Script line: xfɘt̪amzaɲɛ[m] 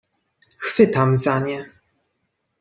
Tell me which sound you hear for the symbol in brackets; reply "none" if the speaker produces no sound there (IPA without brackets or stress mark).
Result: none